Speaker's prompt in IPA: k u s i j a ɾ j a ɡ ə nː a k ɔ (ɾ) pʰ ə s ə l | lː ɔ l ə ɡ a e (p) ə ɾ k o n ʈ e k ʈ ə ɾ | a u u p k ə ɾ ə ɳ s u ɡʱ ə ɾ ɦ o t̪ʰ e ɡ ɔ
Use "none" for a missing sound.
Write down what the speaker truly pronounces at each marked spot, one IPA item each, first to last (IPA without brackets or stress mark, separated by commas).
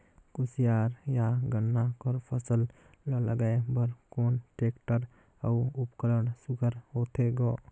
ɾ, b